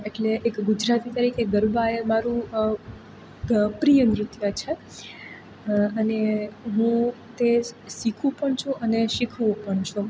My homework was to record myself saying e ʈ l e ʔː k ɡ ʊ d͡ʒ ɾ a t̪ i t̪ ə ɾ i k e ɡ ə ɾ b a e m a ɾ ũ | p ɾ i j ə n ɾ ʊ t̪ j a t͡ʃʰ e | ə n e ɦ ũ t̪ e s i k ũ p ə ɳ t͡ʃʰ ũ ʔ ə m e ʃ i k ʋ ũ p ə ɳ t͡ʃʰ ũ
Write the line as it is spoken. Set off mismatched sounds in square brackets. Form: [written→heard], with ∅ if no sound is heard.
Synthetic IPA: e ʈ l e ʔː k ɡ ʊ d͡ʒ ɾ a t̪ i t̪ ə ɾ i k e ɡ ə ɾ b a e m a ɾ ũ | p ɾ i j ə n ɾ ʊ t̪ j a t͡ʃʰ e | ə n e ɦ ũ t̪ e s i [k→kʰ] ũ p ə ɳ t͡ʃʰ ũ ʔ ə [m→n] e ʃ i [k→kʰ] ʋ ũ p ə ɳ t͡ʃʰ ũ

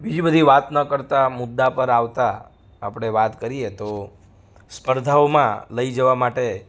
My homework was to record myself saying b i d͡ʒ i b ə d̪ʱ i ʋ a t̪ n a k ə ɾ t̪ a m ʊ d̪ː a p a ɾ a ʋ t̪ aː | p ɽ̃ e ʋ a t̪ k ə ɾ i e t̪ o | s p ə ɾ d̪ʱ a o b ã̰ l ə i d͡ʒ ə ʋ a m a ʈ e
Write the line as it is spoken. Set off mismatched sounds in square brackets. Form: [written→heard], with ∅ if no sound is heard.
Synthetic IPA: b i d͡ʒ i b ə d̪ʱ i ʋ a t̪ n [a→ə] k ə ɾ t̪ a m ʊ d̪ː a p [a→ə] ɾ a ʋ t̪ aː | p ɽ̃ e ʋ a t̪ k ə ɾ i e t̪ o | s p ə ɾ d̪ʱ a o [b→m] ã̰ l ə i d͡ʒ ə ʋ a m a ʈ e

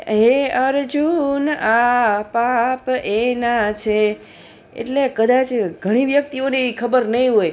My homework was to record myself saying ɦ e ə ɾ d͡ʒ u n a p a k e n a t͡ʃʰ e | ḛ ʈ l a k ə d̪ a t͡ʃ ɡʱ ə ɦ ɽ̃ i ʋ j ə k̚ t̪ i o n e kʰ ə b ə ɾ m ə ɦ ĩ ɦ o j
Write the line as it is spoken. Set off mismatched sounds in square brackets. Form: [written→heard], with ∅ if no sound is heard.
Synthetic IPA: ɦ e ə ɾ d͡ʒ u n a p a [k→p] e n a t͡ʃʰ e | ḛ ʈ l [a→e] k ə d̪ a t͡ʃ ɡʱ ə [ɦ→∅] ɽ̃ i ʋ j ə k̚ t̪ i o n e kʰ ə b ə ɾ [m→n] ə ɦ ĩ ɦ o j

